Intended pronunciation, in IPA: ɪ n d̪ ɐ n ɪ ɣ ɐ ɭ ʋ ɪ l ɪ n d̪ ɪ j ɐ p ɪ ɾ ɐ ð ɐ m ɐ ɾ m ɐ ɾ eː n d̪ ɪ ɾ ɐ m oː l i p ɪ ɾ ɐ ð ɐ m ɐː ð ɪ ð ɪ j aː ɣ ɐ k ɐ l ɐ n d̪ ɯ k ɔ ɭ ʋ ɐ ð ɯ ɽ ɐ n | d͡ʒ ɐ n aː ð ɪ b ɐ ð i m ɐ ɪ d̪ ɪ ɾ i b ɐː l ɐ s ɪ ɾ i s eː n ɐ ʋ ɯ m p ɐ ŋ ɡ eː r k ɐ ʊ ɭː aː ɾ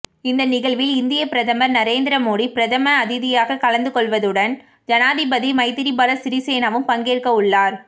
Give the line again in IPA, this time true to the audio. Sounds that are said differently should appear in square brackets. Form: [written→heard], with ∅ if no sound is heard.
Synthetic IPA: ɪ n d̪ ɐ n ɪ ɣ ɐ ɭ ʋ ɪ l ɪ n d̪ ɪ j ɐ p ɪ ɾ ɐ ð ɐ m ɐ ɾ [m→n] ɐ ɾ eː n d̪ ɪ ɾ ɐ m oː [l→ɽ] i p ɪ ɾ ɐ ð ɐ m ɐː ð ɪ ð ɪ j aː ɣ ɐ k ɐ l ɐ n d̪ ɯ k ɔ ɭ ʋ ɐ ð ɯ ɽ ɐ n | d͡ʒ ɐ n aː ð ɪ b ɐ ð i m ɐ ɪ [d̪→t̪] ɪ ɾ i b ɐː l ɐ s ɪ ɾ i s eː n ɐ ʋ ɯ m p ɐ ŋ ɡ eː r k ɐ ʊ ɭː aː ɾ